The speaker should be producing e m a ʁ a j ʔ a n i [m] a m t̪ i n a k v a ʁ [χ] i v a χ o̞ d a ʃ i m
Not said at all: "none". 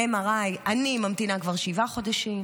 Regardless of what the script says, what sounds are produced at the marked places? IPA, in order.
m, ʃ

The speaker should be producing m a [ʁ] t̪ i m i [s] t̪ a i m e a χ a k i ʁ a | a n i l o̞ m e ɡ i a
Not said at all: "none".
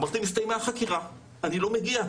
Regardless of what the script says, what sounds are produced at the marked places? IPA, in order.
ʁ, s

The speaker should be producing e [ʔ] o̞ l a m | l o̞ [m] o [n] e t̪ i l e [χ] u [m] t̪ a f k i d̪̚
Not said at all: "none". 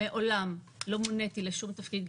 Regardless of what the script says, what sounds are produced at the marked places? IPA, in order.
ʔ, m, n, ʃ, m

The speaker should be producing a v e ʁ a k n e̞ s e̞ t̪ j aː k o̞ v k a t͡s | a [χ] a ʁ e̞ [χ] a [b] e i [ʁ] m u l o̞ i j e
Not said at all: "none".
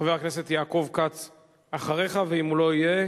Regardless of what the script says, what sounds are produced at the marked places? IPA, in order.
χ, χ, v, none

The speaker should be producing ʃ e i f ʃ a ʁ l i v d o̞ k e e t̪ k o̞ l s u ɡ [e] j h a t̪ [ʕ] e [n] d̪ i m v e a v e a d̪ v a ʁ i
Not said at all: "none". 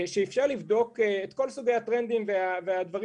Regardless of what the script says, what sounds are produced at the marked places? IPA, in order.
e, ʁ, n

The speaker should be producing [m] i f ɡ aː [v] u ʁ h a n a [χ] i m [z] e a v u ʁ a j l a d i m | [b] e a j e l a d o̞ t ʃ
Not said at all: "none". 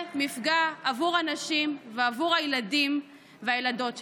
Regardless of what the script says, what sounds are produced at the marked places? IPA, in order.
m, v, ʃ, v, v

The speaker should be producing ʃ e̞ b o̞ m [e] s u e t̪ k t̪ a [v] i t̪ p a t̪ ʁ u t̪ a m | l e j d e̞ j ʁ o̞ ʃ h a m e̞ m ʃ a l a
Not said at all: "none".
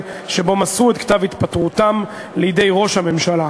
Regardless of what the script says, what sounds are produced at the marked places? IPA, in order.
a, v

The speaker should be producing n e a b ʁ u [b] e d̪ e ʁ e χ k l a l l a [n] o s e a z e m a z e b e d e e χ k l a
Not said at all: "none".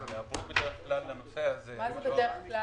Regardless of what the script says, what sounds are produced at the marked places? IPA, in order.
b, n

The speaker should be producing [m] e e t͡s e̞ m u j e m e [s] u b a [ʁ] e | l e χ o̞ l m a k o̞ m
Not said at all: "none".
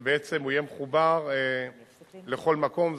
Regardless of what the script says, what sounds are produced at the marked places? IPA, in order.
b, χ, ʁ

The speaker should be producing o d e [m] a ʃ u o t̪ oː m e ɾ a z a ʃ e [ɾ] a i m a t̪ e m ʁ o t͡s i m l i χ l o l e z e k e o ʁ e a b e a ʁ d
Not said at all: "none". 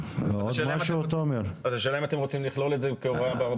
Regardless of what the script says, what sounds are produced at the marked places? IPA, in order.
m, l

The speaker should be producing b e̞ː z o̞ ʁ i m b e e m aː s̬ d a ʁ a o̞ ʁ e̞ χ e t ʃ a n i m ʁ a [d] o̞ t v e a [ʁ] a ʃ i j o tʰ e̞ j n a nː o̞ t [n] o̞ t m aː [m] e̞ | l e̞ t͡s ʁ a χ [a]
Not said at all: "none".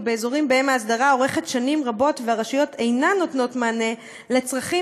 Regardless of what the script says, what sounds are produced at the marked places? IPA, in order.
b, ʁ, n, n, i

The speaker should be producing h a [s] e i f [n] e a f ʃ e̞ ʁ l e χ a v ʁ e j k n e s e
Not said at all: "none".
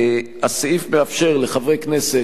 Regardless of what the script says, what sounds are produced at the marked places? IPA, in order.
s, m

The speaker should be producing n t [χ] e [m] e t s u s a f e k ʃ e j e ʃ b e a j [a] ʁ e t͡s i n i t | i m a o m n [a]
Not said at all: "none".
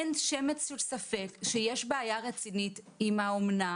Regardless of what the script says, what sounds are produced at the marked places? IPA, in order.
ʃ, m, a, a

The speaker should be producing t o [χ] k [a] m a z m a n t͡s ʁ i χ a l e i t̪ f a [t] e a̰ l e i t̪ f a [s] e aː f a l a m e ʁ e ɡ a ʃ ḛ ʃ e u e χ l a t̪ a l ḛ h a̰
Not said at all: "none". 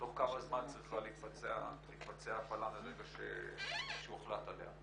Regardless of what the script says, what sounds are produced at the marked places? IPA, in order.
χ, a, t͡s, t͡s

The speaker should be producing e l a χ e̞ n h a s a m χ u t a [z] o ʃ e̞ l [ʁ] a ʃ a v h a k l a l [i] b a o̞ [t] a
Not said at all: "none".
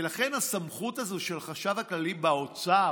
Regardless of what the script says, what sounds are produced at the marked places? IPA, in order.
z, χ, i, t͡s

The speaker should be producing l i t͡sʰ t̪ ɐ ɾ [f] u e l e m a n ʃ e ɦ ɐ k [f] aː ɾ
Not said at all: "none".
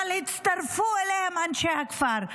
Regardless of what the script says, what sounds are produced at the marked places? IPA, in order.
f, f

